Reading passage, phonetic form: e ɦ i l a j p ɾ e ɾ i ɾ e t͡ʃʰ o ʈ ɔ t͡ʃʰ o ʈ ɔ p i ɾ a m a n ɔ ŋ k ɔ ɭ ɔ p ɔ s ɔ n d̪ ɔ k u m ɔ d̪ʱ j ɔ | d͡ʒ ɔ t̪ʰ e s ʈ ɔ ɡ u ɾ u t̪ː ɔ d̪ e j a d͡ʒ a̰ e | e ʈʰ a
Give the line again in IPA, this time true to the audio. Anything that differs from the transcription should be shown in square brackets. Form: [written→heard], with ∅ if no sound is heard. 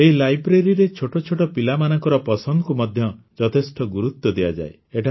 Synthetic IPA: e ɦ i l a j [p→b] ɾ e ɾ i ɾ e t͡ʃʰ o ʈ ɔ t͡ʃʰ o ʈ ɔ p i [ɾ→l] a m a n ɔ ŋ k ɔ [ɭ→ɾ] ɔ p ɔ s ɔ n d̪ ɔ k u m ɔ d̪ʱ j ɔ | d͡ʒ ɔ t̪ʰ e s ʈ ɔ ɡ u ɾ u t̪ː ɔ d̪ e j a d͡ʒ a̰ e | e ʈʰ a